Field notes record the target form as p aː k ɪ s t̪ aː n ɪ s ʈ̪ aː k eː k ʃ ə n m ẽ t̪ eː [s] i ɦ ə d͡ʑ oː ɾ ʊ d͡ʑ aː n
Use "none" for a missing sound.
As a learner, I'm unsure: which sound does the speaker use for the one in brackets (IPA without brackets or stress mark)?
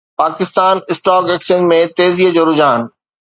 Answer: z